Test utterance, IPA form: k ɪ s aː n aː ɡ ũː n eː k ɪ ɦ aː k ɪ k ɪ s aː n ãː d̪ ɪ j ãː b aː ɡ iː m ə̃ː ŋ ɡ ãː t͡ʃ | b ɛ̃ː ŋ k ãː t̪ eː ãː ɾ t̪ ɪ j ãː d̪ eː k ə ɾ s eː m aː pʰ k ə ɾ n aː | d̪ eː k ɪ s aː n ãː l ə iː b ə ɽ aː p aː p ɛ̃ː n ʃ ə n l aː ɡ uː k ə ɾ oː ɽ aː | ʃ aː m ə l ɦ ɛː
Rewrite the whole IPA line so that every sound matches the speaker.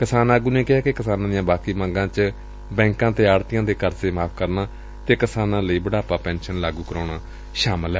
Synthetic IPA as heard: k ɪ s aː n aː ɡ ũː n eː k ɪ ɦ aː k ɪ k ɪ s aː n ãː d̪ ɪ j ãː b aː k iː m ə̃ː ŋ ɡ ãː t͡ʃ | b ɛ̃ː ŋ k ãː t̪ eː aː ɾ t̪ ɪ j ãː d̪ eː k ə ɾ s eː m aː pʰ k ə ɾ n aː | t̪ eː k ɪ s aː n ãː l ə iː b ə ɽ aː p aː p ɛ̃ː n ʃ ə n l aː ɡ uː k ə ɾ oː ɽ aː | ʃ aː m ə l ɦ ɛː